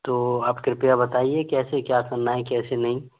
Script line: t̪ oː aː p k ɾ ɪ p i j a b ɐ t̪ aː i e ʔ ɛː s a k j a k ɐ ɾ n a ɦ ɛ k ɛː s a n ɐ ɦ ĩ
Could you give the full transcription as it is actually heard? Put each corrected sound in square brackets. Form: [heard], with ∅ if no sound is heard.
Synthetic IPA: t̪ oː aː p k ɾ ɪ p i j a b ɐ t̪ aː i e [k] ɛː s [e] k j a k ɐ ɾ n a ɦ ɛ k ɛː s [e] n ɐ ɦ ĩ